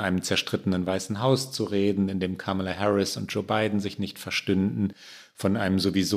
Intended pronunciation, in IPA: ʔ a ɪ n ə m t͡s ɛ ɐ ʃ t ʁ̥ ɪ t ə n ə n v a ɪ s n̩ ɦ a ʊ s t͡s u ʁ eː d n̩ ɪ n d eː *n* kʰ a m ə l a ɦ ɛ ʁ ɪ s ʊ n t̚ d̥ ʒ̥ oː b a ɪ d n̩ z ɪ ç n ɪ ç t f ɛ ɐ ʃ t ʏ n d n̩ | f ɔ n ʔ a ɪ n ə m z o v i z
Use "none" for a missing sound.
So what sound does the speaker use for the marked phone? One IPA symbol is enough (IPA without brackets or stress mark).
m